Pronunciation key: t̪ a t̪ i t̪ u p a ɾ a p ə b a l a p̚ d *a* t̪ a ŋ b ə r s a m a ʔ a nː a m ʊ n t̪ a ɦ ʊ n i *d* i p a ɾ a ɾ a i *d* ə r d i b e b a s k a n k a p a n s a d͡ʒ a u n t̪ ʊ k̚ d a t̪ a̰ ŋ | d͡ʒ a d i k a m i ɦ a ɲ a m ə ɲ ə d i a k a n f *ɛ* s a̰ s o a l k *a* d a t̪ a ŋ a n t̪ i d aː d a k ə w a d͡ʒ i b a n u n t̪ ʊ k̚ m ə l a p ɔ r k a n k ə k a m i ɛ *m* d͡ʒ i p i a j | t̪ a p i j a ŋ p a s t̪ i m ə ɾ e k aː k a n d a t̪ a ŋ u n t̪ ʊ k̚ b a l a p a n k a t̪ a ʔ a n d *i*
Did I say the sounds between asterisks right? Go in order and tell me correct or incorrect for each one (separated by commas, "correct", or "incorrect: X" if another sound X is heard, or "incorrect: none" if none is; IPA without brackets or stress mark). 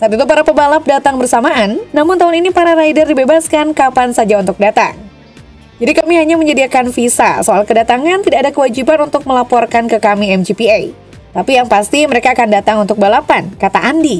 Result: correct, incorrect: n, correct, incorrect: i, incorrect: ə, correct, correct